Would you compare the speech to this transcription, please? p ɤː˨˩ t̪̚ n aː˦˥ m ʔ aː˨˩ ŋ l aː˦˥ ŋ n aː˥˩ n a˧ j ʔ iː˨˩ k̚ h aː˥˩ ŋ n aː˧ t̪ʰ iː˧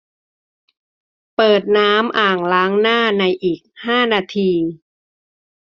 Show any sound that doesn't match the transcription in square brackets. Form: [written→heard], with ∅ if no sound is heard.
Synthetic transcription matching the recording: p ɤː˨˩ t̪̚ n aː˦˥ m ʔ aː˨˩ ŋ l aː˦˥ ŋ n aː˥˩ n a˧ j ʔ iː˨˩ k̚ h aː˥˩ [ŋ→∅] n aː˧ t̪ʰ iː˧